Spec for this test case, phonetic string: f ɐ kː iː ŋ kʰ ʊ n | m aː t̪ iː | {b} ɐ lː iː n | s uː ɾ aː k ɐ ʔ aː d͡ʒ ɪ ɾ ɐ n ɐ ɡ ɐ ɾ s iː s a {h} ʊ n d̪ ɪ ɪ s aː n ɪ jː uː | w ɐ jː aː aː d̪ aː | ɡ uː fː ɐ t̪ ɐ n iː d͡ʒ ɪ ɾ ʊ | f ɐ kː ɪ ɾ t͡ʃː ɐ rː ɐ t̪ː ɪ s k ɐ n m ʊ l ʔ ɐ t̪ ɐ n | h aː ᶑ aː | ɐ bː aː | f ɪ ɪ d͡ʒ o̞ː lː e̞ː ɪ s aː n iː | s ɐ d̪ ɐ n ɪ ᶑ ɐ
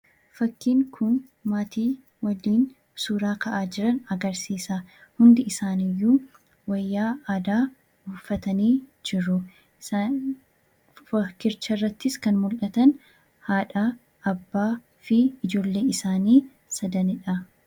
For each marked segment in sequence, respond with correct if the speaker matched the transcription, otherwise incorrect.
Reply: incorrect, correct

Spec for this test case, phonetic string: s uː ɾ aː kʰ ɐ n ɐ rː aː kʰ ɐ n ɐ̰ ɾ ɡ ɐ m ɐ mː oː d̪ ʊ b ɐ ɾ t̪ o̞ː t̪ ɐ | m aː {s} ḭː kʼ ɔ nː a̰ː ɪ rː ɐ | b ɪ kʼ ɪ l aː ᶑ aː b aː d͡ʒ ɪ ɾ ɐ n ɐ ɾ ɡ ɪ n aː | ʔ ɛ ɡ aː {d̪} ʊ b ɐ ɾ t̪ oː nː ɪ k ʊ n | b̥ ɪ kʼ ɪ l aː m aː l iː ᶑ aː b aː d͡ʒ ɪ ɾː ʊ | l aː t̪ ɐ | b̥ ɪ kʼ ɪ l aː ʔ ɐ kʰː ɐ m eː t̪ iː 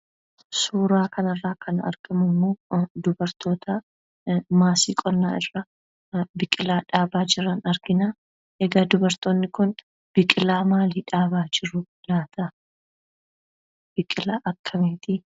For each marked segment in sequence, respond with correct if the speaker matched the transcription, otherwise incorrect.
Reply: correct, correct

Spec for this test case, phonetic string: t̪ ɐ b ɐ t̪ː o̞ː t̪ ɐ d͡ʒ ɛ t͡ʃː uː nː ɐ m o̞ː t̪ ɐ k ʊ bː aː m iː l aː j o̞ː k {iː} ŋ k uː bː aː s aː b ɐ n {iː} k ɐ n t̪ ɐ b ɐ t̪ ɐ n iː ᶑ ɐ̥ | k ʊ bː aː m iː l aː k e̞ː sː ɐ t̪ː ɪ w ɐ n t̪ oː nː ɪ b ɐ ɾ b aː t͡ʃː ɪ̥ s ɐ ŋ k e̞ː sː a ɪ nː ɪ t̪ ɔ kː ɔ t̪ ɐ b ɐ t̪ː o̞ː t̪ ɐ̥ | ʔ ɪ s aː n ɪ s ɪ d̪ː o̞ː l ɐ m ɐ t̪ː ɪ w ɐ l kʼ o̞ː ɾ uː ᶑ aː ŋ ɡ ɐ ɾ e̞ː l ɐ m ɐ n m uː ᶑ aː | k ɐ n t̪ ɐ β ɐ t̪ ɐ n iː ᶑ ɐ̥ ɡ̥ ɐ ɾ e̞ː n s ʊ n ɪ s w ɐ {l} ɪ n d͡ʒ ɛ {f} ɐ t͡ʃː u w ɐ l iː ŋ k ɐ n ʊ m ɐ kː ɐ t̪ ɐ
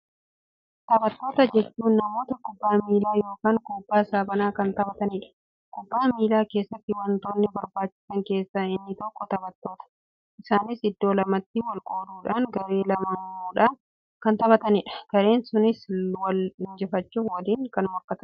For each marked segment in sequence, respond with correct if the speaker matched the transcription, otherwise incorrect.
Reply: incorrect, incorrect, correct, correct

